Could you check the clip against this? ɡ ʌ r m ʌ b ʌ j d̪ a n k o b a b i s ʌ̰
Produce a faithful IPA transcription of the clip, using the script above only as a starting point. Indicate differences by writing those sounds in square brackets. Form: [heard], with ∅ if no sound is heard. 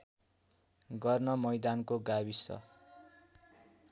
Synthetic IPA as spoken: ɡ ʌ r [n] ʌ [m] ʌ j d̪ a n k o [ɡ] a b i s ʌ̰